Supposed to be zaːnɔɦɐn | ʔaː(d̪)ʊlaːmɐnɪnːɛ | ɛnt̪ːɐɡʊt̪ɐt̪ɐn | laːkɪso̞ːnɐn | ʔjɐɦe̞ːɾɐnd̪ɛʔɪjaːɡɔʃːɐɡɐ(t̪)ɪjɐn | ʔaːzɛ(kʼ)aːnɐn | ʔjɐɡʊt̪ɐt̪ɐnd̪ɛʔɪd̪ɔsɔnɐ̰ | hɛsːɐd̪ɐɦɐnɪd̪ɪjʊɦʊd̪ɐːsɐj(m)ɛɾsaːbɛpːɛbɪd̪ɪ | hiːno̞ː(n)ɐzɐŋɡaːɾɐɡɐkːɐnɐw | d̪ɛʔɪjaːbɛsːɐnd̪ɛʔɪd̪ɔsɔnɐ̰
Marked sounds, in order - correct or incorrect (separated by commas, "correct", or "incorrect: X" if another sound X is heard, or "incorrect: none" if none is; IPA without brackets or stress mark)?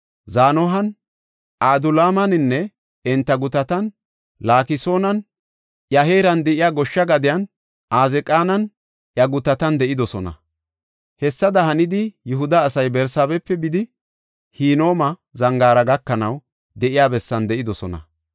correct, incorrect: d̪, correct, incorrect: b, incorrect: m